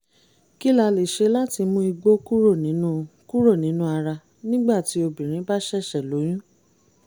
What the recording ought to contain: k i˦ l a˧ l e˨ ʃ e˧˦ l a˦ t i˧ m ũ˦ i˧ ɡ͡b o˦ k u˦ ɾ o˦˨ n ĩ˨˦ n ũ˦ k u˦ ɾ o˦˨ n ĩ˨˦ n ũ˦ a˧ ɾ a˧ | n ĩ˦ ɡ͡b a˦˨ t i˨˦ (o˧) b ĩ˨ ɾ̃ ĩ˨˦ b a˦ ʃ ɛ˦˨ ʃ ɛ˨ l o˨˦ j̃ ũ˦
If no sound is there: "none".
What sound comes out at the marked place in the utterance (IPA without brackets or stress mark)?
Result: o˧